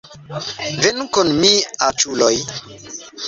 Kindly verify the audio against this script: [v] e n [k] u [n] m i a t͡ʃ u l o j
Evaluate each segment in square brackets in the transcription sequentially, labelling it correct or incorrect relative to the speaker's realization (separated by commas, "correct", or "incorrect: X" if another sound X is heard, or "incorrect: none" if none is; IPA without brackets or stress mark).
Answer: correct, correct, correct